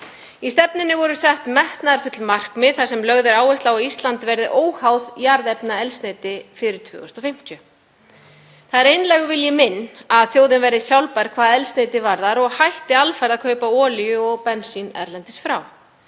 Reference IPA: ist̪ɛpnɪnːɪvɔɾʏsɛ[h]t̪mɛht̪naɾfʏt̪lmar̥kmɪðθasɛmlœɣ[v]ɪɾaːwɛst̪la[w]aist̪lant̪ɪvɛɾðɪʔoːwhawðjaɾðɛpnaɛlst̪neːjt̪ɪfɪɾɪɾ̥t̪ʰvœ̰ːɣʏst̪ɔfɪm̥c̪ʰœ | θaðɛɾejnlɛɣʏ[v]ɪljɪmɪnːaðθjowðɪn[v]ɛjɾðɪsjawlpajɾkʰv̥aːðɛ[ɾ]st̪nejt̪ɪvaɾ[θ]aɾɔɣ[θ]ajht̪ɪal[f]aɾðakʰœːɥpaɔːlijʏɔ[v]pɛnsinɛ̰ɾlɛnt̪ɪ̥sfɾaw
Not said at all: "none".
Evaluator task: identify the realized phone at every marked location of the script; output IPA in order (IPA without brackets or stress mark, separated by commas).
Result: h, ð, w, v, v, l, ð, h, f, ɣ